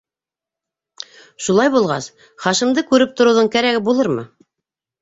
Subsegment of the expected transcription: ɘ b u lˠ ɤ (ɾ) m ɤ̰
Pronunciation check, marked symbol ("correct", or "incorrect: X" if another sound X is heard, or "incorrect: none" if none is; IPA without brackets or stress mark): correct